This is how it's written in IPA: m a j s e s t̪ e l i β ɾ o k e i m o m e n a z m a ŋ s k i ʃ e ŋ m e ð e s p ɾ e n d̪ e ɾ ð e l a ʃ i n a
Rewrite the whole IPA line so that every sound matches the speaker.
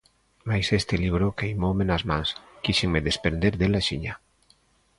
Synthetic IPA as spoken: m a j s e s t̪ e l i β ɾ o k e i m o m e n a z m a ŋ s k i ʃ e ŋ m e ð e s p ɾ e n d̪ e ɾ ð e l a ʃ i ɲ a